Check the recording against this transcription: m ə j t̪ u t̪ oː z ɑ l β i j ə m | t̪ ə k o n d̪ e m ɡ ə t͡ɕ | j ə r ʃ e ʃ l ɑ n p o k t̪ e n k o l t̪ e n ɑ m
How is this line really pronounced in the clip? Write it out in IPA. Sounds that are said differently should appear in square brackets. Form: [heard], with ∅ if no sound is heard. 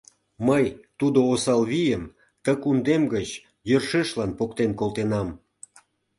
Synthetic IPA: m ə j t̪ u [d̪] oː [s] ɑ l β i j ə m | t̪ ə k [u] n d̪ e m ɡ ə t͡ɕ | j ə r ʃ e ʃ l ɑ n p o k t̪ e n k o l t̪ e n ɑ m

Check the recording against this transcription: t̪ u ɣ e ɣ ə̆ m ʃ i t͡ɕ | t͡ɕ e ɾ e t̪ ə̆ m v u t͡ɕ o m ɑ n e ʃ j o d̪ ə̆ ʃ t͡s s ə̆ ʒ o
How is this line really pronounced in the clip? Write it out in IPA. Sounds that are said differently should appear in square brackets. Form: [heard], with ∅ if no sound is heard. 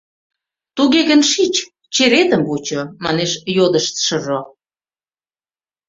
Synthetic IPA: t̪ u ɣ e ɣ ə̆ [n] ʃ i t͡ɕ | t͡ɕ e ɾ e t̪ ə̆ m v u t͡ɕ o m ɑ n e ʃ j o d̪ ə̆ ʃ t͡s [ʃ] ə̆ ʒ o

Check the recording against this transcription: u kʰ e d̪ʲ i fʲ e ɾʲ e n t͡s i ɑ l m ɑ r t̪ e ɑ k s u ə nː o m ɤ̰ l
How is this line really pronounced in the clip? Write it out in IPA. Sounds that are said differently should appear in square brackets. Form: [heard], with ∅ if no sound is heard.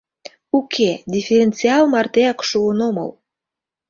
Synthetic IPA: u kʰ e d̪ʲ i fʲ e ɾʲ e n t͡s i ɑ l m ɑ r t̪ e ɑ k [ʃ] u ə [n] o m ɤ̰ l

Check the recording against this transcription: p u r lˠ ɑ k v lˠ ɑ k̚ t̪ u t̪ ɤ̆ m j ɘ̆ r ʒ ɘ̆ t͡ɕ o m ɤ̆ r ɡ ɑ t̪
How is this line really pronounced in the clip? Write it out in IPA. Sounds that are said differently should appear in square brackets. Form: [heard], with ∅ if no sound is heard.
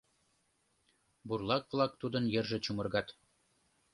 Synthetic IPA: [b] u r lˠ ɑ k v lˠ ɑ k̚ t̪ u [d̪] ɤ̆ [n] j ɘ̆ r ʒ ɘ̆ t͡ɕ [u] m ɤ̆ r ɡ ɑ t̪

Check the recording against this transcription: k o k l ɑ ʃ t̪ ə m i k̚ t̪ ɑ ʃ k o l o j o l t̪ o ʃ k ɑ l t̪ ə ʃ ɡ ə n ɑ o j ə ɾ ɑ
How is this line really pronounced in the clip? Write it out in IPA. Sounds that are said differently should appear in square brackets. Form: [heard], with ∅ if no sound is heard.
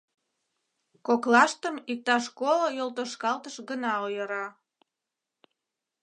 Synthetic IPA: k o k l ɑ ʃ t̪ ə m i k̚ t̪ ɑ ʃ k o l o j o l t̪ o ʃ k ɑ l t̪ ə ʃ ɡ ə n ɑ o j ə ɾ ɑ

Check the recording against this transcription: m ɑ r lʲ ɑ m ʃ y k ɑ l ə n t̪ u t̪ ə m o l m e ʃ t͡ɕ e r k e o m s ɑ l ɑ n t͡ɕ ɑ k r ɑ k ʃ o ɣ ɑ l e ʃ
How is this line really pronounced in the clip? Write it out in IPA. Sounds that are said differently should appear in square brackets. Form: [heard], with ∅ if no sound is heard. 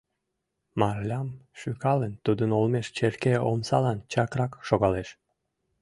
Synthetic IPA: m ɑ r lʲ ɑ m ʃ y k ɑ l ə n t̪ u [d̪] ə [n] o l m e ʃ t͡ɕ e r k e o m s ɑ l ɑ n t͡ɕ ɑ k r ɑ k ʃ o ɣ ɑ l e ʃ

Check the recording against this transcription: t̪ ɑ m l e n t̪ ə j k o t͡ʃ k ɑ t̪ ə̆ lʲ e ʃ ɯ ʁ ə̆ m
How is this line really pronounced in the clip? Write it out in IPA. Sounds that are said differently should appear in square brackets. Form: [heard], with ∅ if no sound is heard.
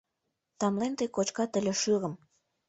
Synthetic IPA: t̪ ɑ m l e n t̪ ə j k o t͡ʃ k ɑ t̪ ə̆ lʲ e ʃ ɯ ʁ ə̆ m

